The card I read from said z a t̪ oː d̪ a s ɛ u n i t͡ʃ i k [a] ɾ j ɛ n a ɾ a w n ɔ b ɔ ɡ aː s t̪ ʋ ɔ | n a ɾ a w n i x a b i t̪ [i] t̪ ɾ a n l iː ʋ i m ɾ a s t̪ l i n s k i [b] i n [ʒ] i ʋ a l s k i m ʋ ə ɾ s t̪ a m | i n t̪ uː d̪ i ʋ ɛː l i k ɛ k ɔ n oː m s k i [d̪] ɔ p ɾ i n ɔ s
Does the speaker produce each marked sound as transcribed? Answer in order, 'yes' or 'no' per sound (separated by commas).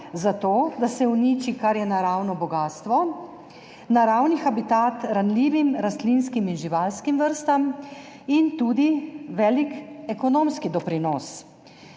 yes, no, no, yes, yes